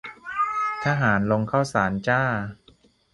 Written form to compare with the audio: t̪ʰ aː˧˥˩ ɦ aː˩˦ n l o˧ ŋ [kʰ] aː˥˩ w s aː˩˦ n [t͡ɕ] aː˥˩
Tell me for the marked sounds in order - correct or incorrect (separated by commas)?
correct, correct